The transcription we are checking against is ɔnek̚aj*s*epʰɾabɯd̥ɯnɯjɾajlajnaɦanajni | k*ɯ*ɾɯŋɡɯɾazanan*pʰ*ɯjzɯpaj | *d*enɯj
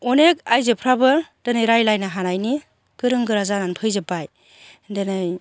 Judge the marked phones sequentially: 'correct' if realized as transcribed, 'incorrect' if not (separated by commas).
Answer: incorrect, correct, correct, correct